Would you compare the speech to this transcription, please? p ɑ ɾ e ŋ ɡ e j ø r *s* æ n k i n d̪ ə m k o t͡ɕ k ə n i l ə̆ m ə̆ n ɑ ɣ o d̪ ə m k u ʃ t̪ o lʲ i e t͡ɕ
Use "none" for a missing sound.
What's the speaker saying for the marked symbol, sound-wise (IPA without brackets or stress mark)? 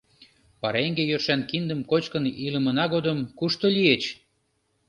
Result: ʃ